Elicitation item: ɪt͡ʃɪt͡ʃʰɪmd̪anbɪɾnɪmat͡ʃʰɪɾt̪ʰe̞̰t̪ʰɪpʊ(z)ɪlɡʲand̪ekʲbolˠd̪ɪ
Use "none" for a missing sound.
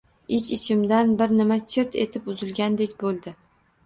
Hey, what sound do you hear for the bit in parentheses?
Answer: z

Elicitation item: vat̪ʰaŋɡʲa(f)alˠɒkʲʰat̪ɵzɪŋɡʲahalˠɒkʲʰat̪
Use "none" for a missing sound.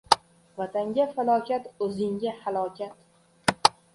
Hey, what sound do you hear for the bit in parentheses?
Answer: f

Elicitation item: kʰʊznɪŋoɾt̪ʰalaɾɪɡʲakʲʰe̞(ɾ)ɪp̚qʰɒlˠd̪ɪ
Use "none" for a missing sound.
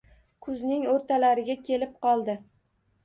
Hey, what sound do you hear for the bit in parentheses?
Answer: l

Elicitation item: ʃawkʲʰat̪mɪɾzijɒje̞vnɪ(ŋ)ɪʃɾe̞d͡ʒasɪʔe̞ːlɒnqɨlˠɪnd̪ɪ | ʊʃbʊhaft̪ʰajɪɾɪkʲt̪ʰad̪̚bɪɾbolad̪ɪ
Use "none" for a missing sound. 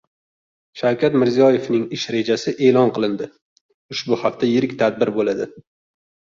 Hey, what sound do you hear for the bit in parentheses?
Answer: ŋ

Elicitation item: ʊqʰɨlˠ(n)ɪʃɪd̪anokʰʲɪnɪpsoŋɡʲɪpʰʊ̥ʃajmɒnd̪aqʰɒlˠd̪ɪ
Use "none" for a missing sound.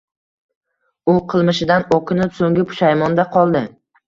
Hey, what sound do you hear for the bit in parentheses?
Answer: m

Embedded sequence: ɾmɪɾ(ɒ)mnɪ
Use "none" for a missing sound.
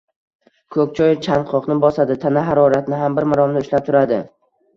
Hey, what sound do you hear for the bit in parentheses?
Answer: ɒ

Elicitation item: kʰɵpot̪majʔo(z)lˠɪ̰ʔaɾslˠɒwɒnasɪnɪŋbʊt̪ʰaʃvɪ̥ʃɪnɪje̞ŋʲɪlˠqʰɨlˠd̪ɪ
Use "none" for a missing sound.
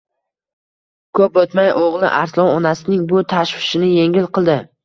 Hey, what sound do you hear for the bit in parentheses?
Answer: ʁ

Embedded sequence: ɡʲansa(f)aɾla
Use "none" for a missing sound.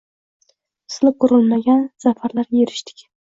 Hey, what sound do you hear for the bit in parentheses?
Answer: f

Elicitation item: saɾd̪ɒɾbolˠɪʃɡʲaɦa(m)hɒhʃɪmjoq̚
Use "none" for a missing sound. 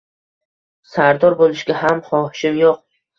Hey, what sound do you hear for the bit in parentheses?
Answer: m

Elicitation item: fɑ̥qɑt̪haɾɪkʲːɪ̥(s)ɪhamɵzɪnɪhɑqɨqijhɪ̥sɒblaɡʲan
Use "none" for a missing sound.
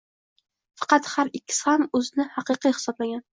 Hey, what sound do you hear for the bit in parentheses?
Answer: s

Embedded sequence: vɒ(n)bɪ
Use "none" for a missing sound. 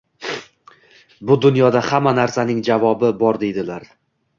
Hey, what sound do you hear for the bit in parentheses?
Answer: none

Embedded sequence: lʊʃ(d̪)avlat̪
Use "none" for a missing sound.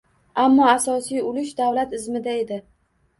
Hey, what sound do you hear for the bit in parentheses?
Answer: d̪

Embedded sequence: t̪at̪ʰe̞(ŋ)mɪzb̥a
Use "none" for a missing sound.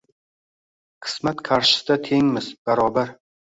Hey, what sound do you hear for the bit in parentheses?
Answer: ŋ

